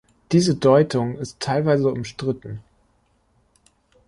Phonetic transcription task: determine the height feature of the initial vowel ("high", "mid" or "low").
high